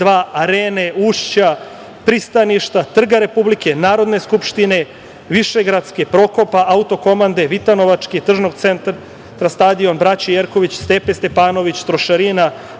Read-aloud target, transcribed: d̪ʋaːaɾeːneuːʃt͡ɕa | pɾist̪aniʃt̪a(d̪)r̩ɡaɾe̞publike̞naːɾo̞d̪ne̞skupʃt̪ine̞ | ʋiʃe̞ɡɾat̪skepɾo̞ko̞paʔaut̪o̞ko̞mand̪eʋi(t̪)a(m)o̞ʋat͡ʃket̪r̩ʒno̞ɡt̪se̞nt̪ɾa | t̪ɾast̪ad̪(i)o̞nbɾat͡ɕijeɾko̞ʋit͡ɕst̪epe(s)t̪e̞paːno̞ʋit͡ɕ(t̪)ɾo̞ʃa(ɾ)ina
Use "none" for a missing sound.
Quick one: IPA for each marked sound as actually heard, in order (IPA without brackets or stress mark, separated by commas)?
t̪, t̪, n, i, s, t̪, ɾ